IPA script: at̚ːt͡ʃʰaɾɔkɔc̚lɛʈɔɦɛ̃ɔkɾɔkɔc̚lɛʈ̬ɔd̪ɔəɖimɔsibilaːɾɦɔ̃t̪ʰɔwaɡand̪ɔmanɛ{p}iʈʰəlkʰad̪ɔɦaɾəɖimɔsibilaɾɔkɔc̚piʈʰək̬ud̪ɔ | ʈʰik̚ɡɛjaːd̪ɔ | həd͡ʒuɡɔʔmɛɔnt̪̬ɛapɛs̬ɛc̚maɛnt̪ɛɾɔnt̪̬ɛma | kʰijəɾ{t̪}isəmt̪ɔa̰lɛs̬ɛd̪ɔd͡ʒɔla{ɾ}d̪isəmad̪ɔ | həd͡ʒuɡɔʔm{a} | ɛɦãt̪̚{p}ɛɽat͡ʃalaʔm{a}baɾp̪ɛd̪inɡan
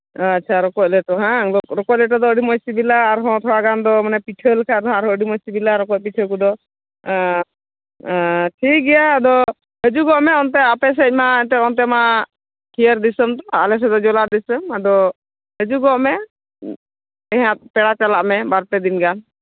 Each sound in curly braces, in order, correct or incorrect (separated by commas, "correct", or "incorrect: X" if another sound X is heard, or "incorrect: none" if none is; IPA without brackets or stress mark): correct, incorrect: d̪, correct, incorrect: ɛ, correct, incorrect: ɛ